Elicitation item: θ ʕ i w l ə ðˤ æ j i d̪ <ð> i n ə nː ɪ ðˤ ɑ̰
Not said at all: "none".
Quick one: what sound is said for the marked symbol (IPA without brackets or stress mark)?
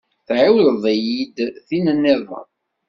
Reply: θ